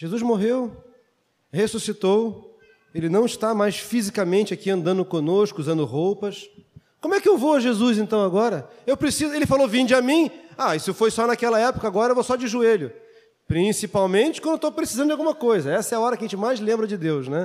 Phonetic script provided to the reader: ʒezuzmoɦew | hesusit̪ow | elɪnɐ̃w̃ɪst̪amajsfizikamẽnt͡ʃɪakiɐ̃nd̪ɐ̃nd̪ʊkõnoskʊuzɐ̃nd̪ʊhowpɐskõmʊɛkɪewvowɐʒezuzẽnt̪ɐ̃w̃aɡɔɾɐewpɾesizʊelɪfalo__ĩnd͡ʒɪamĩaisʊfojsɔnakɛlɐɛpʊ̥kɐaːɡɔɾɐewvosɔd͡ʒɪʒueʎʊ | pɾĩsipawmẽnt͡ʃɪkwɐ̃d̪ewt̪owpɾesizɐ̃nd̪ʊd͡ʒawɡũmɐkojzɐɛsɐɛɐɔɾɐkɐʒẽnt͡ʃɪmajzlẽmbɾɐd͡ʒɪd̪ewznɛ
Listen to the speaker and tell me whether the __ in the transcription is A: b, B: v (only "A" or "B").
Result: B